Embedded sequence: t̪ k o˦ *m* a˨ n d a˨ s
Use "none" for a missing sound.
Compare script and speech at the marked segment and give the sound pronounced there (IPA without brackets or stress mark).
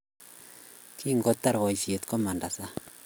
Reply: m